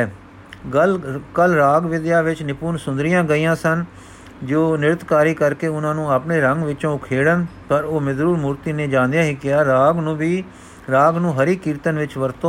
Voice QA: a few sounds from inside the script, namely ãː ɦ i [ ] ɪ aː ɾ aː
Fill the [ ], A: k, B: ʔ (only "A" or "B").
A